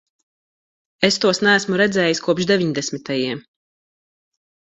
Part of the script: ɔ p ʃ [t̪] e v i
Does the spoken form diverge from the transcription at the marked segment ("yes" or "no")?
yes